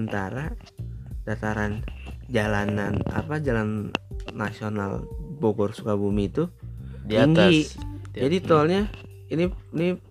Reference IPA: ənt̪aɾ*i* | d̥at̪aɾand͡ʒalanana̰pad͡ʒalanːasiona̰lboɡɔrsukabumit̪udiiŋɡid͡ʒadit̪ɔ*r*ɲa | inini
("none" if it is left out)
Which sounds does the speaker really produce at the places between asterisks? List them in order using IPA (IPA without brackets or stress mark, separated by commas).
a, l